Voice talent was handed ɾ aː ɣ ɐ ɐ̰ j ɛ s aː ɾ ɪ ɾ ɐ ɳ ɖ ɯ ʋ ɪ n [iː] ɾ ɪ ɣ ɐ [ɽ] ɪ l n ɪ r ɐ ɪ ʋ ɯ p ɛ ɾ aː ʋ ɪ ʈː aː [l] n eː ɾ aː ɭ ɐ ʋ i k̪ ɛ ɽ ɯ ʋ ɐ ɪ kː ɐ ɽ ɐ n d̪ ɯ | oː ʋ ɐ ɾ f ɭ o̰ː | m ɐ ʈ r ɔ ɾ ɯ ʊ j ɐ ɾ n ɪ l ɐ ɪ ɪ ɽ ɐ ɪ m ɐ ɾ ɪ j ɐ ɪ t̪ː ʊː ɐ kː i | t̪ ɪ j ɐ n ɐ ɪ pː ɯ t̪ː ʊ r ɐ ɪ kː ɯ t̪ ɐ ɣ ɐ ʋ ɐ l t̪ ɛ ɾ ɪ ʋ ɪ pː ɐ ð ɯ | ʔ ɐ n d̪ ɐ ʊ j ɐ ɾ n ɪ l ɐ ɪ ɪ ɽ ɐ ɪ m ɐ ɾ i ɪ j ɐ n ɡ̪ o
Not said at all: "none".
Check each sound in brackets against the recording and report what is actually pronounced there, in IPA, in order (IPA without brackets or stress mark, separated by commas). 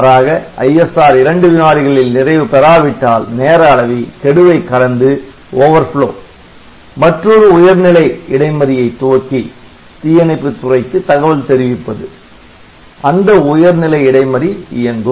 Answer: aː, ɭ, l